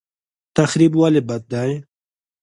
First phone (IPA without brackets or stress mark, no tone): t̪